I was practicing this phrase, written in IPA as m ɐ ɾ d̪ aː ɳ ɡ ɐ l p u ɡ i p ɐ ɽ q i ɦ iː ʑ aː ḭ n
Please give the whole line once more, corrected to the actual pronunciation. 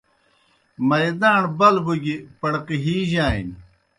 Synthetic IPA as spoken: m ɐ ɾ d̪ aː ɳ b ɐ l b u ɡ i p ɐ ɽ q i ɦ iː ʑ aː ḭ n

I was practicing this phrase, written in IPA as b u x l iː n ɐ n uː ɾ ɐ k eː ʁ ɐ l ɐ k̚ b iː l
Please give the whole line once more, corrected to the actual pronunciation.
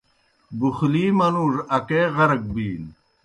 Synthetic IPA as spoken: b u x l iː m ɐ n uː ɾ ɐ k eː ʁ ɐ ɾ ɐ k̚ b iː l

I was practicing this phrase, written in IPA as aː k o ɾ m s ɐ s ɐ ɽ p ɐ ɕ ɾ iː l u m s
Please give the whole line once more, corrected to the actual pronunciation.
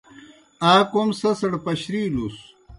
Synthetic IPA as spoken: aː k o m s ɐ s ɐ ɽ p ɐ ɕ ɾ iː l u s

